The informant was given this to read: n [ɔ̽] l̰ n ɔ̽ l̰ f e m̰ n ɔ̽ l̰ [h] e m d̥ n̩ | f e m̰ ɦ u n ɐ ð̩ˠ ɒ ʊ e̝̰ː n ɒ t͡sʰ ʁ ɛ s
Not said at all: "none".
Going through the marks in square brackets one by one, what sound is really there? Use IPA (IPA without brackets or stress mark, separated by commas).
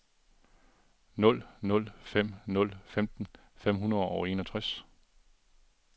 ɔ̽, f